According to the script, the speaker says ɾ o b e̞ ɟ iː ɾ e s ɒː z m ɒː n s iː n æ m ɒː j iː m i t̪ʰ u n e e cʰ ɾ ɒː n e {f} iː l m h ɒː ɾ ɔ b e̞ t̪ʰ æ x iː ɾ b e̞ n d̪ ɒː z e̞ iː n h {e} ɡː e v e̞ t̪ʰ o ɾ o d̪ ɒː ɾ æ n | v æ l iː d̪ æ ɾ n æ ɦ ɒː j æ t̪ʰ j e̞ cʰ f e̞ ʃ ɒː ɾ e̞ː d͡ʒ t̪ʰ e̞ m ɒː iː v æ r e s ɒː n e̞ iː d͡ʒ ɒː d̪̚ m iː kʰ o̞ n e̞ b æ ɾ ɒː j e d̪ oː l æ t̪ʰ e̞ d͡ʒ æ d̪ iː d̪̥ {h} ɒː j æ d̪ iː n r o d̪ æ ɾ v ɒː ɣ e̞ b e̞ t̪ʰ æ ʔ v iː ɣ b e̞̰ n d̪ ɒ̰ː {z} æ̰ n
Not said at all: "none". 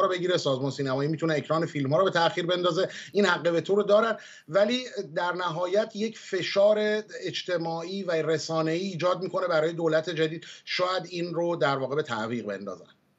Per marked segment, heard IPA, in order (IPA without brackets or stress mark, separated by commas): f, æ, ʃ, z